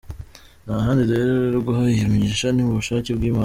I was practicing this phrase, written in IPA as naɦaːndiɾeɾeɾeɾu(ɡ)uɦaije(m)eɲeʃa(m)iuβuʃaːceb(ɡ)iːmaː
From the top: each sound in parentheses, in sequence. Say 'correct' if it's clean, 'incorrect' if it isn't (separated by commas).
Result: correct, correct, incorrect, correct